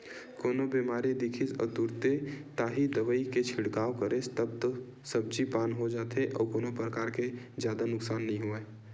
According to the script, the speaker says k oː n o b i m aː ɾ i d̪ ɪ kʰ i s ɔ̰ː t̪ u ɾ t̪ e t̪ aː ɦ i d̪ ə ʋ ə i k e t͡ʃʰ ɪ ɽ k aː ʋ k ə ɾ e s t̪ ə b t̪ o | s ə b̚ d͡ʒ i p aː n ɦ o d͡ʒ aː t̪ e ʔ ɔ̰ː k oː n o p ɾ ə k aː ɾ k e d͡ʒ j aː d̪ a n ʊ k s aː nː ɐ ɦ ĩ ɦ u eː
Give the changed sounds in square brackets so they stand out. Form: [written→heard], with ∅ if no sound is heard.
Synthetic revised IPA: k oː n o b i m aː ɾ i d̪ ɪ kʰ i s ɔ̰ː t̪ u ɾ t̪ e t̪ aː ɦ i d̪ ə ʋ ə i k e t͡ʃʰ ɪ ɽ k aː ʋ k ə ɾ e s t̪ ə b t̪ o | s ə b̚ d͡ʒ i p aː n ɦ o d͡ʒ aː t̪ e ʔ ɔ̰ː k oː n o p ɾ ə k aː ɾ k e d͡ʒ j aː d̪ a n ʊ k s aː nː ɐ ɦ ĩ ɦ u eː

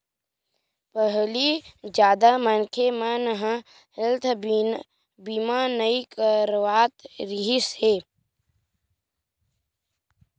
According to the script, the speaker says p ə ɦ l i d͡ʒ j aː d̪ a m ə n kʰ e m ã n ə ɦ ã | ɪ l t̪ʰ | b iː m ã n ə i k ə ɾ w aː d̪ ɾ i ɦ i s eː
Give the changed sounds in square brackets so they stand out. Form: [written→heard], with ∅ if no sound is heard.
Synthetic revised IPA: p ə ɦ l i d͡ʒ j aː d̪ a m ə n kʰ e m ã n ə ɦ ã | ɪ l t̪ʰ | b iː m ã n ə i k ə ɾ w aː [d̪→t̪] ɾ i ɦ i s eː

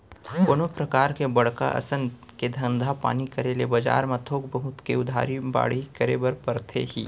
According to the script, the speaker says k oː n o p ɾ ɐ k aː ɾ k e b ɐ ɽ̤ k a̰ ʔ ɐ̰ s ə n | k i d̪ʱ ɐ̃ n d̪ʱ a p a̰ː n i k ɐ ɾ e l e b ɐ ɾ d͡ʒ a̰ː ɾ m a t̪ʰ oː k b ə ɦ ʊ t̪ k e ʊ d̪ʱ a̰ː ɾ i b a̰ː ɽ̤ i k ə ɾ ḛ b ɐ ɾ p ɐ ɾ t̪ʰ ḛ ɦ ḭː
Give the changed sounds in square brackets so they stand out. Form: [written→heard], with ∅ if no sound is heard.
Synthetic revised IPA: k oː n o p ɾ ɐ k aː ɾ k e b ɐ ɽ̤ k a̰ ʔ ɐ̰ s ə n | k [i→e] d̪ʱ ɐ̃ n d̪ʱ a p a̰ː n i k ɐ ɾ e l e b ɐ [ɾ→∅] d͡ʒ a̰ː ɾ m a t̪ʰ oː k b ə ɦ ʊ t̪ k e ʊ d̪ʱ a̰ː ɾ i b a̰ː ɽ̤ i k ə ɾ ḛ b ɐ ɾ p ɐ ɾ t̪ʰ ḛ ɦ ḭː

